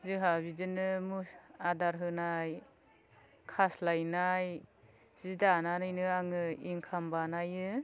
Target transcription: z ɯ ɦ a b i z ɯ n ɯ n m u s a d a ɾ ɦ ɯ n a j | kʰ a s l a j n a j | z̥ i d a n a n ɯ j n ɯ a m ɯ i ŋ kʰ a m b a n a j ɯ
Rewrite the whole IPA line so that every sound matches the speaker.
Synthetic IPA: z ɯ ɦ a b i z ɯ n ɯ m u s a d a ɾ ɦ ɯ n a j | kʰ a s l a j n a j | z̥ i d a n a n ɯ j n ɯ a ŋ ɯ i ŋ kʰ a m b a n a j ɯ